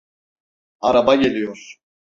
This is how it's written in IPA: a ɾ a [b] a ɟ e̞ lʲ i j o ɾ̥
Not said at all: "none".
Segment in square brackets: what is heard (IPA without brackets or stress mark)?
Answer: b